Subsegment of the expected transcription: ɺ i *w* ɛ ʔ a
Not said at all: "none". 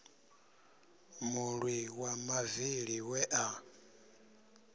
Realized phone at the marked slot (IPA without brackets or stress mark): w